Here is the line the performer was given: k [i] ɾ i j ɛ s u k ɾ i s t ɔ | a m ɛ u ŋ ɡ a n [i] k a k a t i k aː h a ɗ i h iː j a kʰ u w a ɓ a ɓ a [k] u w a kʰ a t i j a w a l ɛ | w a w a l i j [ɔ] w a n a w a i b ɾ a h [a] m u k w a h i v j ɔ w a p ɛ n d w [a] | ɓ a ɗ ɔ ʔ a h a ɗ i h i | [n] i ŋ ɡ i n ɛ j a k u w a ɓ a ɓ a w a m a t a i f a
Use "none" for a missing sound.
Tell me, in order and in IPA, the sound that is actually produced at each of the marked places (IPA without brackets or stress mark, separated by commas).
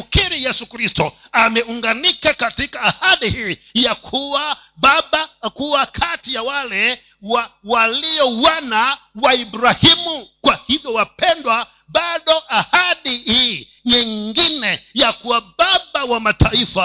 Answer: i, i, k, ɔ, i, a, ɲ